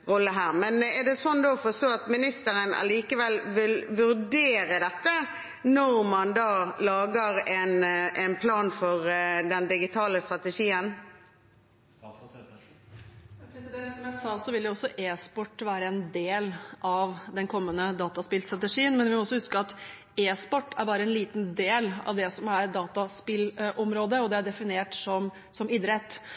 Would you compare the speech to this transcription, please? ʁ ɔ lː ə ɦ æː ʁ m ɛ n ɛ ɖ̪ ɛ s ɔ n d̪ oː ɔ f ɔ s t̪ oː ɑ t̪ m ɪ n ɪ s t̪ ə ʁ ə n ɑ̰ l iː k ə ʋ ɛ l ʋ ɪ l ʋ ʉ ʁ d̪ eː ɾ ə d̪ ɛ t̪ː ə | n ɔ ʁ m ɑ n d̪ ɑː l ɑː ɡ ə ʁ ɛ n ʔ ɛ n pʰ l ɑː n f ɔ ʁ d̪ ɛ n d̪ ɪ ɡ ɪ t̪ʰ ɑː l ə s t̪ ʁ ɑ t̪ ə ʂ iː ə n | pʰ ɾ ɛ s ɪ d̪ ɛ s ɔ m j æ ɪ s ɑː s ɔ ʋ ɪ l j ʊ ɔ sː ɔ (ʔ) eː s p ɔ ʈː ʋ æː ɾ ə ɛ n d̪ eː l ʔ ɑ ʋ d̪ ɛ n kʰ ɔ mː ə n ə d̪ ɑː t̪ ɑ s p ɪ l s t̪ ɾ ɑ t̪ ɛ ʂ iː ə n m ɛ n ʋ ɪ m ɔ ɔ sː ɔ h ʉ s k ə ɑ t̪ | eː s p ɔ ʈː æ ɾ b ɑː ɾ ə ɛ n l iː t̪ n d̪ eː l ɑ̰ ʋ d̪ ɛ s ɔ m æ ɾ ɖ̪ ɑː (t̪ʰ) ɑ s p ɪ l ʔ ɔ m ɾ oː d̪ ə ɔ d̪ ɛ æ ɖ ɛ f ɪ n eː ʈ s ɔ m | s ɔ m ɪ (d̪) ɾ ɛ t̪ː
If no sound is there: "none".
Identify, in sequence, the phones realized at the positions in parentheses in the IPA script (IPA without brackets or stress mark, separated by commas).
ʔ, t̪, d̪